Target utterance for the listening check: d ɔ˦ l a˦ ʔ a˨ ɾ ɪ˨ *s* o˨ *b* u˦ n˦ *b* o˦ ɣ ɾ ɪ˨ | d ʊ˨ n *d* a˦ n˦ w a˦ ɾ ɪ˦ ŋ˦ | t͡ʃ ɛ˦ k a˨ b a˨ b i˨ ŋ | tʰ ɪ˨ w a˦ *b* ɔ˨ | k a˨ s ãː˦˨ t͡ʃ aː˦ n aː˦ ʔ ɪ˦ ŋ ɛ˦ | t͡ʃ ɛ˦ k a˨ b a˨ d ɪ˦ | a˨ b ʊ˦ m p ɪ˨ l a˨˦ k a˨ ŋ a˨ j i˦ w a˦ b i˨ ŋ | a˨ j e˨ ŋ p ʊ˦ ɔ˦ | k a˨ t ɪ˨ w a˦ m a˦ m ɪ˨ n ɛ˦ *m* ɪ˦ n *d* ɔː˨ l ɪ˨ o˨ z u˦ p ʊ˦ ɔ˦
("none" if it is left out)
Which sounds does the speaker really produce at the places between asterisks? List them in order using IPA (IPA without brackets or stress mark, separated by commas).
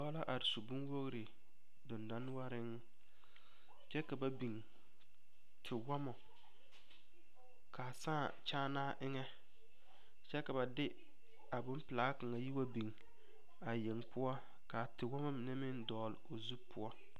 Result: s, b, w, d, m, m, d